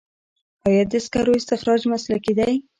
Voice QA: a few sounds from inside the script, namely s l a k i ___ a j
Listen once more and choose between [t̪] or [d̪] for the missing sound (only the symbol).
d̪